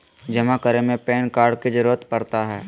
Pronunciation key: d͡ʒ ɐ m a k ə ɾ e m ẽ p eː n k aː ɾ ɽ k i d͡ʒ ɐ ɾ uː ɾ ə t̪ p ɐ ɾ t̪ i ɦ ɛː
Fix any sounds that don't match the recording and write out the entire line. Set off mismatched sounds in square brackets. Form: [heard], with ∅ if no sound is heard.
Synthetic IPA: d͡ʒ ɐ m a k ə ɾ e m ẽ p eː n k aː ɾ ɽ k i d͡ʒ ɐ ɾ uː ɾ ə t̪ p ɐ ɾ t̪ [a] ɦ ɛː